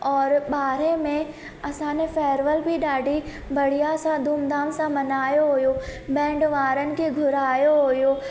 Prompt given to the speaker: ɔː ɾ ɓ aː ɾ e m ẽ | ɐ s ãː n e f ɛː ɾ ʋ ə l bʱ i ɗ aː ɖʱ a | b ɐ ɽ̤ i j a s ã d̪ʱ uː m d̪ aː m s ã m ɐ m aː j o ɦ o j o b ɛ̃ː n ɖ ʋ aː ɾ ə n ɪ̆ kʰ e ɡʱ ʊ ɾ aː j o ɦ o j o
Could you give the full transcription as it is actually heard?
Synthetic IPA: ɔː ɾ ɓ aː ɾ e m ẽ | ɐ s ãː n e f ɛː ɾ ʋ ə l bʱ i ɗ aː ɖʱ i | b ɐ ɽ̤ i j a s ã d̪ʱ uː m d̪ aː m s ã m ɐ n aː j o ɦ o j o b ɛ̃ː ɳ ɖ ʋ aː ɾ ə n ɪ̆ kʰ e ɡʱ ʊ ɾ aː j o ɦ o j o

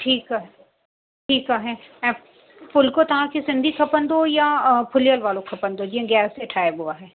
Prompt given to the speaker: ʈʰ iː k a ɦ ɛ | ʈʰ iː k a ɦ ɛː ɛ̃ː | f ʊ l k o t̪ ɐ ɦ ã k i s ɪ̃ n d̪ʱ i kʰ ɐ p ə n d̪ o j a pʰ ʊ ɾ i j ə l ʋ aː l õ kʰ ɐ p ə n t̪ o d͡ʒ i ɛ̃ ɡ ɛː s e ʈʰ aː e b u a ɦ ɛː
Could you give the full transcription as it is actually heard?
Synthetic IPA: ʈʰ iː k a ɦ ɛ | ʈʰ iː k a ɦ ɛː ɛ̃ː | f ʊ l k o t̪ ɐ ɦ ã k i s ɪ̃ n d̪ʱ i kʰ ɐ p ə n d̪ o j a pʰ ʊ l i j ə l ʋ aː l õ kʰ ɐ p ə n d̪ o d͡ʒ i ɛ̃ ɡ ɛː s e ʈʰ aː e b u a ɦ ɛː

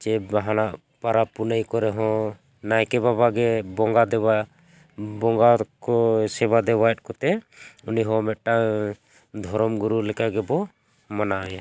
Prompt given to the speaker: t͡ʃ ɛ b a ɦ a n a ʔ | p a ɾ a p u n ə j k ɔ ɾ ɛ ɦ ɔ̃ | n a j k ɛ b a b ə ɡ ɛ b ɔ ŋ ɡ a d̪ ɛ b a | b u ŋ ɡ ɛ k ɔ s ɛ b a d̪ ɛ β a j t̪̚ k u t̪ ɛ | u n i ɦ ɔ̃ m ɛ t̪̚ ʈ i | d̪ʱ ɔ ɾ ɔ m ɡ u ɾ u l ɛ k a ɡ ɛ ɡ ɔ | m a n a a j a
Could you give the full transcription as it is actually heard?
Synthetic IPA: t͡ʃ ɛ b a ɦ a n a ʔ | p a ɾ a p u n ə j k ɔ ɾ ɛ ɦ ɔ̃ | n a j k ɛ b a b a ɡ ɛ b ɔ ŋ ɡ a d̪ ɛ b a | b ɔ ŋ ɡ a k ɔ s ɛ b a d̪ ɛ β a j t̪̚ k ɔ t̪ ɛ | u n i ɦ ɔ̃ m ɛ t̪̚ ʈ a | d̪ʱ ɔ ɾ ɔ m ɡ u ɾ u l ɛ k a ɡ ɛ b ɔ | m a n a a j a

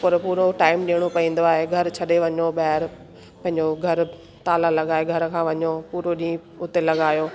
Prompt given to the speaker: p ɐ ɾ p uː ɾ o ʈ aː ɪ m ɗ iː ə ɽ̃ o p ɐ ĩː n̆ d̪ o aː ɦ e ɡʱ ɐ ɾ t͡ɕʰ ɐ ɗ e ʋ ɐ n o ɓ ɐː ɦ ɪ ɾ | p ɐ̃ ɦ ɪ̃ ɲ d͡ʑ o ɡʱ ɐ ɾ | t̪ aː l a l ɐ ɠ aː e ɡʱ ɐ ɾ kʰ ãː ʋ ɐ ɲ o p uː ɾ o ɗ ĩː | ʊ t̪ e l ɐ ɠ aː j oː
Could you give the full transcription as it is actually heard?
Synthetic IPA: p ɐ ɾ p uː ɾ o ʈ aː ɪ m ɗ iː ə ɽ̃ o p ɐ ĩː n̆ d̪ o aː ɦ e ɡʱ ɐ ɾ t͡ɕʰ ɐ ɗ e ʋ ɐ ɲ o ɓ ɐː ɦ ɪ ɾ | p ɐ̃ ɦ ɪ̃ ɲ d͡ʑ o ɡʱ ɐ ɾ | t̪ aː l a l ɐ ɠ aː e ɡʱ ɐ ɾ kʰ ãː ʋ ɐ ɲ o p uː ɾ o ɗ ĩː | ʊ t̪ e l ɐ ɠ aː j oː

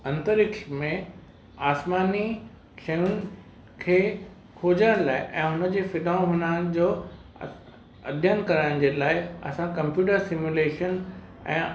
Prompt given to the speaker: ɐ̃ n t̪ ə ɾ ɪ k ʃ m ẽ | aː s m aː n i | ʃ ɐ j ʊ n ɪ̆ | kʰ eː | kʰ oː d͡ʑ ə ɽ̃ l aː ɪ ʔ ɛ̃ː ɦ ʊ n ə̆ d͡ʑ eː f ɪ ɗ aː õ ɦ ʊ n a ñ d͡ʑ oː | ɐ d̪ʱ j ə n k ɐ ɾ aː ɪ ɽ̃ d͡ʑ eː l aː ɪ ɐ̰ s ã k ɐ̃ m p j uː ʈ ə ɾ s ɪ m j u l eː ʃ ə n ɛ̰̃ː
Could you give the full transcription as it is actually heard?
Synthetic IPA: ɐ̃ n t̪ ə ɾ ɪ k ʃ m ẽ | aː s m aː n i | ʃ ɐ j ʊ n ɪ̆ | kʰ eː | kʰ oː d͡ʑ ə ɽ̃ l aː ɪ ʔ ɛ̃ː ɦ ʊ n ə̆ d͡ʑ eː f ɪ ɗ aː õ ɦ ʊ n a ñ d͡ʑ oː | ɐ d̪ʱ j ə n k ɐ ɾ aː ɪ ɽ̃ d͡ʑ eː l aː ɪ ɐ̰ s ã k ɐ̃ m p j uː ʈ ə ɾ s ɪ m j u l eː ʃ ə n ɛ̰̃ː

